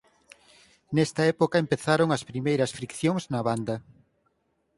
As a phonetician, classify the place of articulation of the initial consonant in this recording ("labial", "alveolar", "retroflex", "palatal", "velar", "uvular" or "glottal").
alveolar